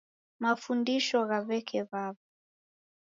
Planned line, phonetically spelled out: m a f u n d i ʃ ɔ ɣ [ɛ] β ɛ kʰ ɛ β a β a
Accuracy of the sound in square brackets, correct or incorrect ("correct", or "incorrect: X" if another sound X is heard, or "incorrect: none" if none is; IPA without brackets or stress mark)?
incorrect: a